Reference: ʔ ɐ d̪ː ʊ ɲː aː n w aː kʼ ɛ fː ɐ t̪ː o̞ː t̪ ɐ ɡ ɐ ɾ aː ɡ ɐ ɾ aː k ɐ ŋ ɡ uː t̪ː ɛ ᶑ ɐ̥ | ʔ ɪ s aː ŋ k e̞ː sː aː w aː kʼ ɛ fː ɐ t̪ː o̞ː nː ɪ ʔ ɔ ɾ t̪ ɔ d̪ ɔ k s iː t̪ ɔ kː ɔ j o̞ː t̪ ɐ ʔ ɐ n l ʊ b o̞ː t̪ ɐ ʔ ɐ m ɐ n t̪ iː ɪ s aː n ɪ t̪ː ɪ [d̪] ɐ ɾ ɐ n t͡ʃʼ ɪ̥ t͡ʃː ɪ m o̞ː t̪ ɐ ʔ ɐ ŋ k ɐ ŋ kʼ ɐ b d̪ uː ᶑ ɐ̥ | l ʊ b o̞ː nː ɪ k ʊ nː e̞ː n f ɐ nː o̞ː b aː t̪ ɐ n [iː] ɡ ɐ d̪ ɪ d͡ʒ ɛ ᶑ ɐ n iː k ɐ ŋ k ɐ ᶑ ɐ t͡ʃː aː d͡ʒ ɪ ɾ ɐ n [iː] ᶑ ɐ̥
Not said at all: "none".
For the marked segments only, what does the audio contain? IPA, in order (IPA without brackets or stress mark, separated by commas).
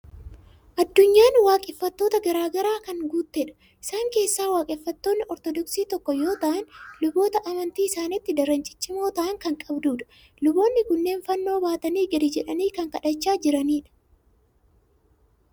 d̪, iː, iː